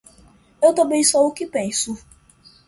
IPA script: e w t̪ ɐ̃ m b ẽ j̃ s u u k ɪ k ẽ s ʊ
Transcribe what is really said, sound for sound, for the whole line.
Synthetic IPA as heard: e w t̪ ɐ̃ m b ẽ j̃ s o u k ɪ p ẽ s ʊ